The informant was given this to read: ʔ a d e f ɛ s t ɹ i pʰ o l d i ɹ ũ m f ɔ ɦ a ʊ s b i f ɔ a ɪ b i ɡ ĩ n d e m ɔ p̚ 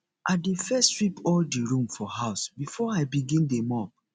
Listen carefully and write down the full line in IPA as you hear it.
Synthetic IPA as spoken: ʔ a d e f ɛ s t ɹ i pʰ ɔ l d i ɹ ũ m f ɔ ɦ a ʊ s b i f ɔ a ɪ b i ɡ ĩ n d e m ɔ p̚

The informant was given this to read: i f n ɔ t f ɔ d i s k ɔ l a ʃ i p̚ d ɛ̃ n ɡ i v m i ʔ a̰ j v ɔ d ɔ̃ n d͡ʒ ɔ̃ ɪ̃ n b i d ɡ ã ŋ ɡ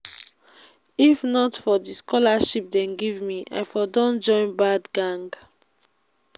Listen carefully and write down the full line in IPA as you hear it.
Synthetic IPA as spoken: i f n ɔ t f ɔ d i s k ɔ l a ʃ i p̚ d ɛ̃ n ɡ i v m i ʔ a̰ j f ɔ d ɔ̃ n d͡ʒ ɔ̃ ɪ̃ n b a d ɡ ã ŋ ɡ

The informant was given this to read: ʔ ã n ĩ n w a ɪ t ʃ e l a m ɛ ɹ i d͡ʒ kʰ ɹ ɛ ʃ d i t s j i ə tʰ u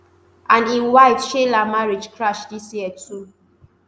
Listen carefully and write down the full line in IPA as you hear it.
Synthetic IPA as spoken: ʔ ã n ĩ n w a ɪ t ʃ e l a m a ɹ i d͡ʒ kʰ ɹ a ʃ d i s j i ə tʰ u

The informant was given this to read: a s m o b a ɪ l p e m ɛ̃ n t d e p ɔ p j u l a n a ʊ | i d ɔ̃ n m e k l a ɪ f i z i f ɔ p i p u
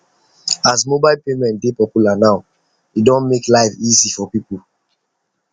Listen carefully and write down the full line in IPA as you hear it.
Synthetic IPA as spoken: a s m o b a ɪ l p e m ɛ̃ n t d e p ɔ p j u l a n a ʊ | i d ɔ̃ n m e k l a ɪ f i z i f ɔ p i p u

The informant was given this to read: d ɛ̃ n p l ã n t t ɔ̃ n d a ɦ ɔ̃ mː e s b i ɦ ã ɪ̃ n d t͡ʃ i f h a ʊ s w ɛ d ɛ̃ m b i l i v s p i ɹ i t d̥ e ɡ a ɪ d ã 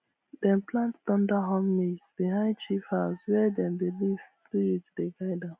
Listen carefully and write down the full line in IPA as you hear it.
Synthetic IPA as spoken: d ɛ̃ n p l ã n t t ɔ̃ n d a ɦ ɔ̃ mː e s b i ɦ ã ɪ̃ n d t͡ʃ i f h a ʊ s w ɛ d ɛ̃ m b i l i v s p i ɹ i t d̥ e ɡ a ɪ d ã

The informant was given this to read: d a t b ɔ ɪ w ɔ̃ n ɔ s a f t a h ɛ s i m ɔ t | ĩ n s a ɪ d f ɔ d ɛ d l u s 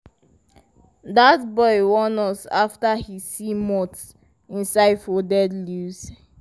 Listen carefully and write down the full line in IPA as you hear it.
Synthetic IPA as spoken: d a t b ɔ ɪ w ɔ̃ n ɔ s a f t a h i s i m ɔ t | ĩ n s a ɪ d f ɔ d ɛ d l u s

